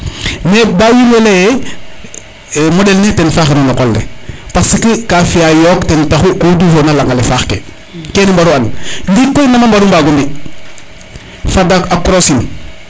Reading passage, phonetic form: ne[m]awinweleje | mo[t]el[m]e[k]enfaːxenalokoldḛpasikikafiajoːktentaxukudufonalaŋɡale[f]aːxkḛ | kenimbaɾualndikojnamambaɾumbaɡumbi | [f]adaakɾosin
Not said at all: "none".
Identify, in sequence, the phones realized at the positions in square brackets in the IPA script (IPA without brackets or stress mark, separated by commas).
b, d, n, t, f, f